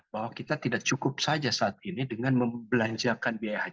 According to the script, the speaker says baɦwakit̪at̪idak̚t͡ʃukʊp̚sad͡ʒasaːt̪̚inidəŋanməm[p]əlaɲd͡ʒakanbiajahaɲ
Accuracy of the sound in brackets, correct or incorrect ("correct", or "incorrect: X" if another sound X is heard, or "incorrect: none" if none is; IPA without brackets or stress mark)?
incorrect: b